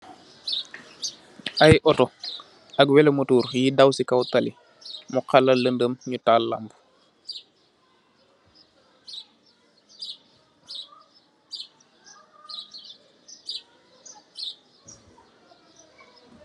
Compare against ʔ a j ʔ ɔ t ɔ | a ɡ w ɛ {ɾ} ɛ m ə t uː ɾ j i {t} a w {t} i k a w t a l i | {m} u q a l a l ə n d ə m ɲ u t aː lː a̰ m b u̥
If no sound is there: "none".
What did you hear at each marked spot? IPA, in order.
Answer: l, d, s, m

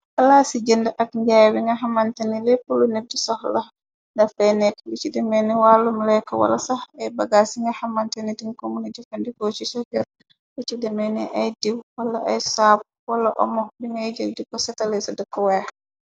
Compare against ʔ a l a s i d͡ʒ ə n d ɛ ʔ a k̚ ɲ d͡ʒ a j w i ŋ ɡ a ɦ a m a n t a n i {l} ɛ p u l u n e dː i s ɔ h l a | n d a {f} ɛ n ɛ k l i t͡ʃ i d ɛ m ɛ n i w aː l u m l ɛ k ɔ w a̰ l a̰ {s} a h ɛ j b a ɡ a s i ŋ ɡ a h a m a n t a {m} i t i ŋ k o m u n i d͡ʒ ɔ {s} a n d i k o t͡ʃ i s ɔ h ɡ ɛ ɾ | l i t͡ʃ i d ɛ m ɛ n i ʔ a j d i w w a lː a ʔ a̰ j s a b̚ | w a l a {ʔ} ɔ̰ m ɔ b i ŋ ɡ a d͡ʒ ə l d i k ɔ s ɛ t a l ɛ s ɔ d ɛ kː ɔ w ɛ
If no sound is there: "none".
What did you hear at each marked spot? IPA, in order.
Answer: l, f, s, n, f, ʔ

